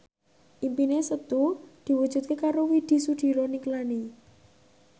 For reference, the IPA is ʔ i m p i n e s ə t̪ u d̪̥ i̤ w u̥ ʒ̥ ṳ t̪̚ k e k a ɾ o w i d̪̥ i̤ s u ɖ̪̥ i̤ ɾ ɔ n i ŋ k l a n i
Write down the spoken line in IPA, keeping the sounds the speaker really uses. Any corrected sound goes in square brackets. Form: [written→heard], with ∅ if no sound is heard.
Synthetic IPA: ʔ i m p i n e s ə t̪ u d̪̥ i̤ w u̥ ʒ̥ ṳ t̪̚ k e k a ɾ o w i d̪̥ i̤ s u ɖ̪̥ i̤ ɾ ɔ n i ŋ k l a n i